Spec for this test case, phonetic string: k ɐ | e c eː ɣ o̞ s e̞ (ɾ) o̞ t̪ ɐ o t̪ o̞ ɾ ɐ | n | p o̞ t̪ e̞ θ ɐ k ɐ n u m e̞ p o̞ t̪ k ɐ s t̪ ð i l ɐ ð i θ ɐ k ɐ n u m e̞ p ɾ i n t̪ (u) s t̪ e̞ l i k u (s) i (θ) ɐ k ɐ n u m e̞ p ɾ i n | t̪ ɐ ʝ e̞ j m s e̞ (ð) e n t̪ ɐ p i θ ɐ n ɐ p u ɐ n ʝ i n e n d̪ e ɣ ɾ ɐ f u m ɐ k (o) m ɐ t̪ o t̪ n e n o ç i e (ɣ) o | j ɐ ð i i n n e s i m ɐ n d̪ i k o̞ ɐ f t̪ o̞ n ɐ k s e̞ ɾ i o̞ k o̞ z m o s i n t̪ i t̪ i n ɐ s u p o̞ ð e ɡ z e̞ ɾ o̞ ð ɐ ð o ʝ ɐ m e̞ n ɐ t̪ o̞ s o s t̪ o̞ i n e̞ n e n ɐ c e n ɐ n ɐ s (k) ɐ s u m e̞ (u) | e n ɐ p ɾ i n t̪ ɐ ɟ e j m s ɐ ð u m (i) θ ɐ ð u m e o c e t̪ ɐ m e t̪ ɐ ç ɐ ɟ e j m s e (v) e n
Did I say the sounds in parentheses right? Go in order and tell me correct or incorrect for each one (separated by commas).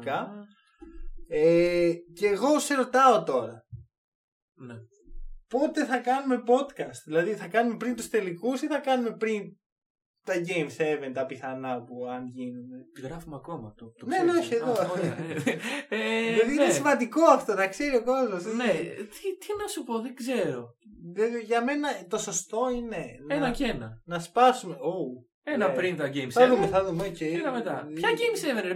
correct, correct, correct, correct, incorrect, correct, incorrect, incorrect, incorrect, incorrect, correct